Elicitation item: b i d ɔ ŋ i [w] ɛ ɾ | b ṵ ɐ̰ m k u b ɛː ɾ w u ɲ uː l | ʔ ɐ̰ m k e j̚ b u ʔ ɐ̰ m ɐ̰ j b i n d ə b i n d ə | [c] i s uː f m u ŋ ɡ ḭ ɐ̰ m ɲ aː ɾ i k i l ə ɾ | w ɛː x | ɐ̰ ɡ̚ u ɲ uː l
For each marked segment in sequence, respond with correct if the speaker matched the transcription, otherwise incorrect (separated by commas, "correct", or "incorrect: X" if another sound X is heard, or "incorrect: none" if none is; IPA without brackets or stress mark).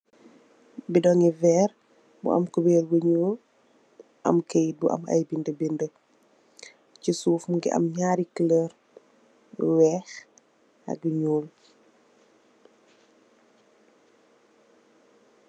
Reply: incorrect: v, correct